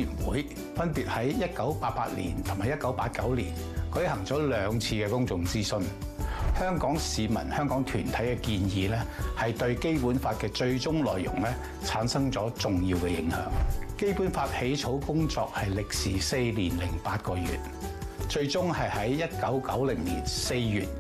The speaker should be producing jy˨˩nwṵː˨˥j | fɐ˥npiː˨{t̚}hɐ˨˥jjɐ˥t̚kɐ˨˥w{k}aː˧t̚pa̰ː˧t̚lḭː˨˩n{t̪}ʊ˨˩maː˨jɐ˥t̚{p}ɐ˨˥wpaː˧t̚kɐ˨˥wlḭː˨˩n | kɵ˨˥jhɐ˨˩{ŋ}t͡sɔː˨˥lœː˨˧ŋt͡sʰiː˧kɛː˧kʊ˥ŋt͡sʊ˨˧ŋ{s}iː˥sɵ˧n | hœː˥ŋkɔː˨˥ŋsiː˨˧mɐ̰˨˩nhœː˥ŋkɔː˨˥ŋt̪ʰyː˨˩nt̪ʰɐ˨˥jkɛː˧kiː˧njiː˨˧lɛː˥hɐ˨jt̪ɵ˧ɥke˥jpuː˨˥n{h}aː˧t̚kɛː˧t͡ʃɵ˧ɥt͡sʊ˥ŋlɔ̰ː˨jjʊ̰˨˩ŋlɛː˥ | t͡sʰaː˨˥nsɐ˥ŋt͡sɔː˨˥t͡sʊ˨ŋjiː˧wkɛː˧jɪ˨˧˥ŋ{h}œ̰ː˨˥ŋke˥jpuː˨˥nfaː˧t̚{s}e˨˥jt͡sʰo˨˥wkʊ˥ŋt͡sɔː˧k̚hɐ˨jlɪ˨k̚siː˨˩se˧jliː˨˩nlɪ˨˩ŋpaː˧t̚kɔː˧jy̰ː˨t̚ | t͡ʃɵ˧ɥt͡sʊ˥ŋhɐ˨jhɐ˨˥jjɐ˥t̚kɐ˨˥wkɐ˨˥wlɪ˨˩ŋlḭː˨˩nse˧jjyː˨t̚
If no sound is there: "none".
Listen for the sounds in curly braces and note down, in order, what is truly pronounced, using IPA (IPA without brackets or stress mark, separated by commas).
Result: t̚, p, t̪ʰ, k, ŋ, t͡s, f, h, h